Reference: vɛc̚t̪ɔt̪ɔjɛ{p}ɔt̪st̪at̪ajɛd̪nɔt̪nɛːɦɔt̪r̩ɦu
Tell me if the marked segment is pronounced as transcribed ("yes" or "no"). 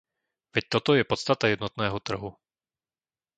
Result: yes